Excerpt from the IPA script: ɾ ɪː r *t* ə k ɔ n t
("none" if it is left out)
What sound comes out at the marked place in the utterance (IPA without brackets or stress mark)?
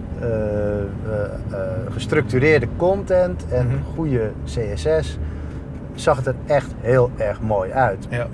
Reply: d